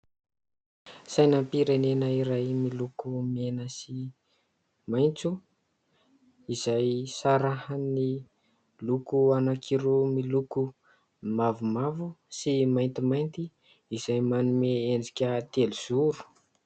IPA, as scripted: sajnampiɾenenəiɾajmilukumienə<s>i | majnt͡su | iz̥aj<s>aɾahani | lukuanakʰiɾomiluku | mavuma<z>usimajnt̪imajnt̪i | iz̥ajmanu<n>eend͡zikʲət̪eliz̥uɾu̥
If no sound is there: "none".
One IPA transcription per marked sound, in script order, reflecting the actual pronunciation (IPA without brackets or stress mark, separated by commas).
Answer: s, s, v, m